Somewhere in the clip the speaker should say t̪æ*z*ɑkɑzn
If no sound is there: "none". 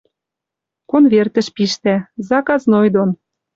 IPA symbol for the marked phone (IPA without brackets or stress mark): z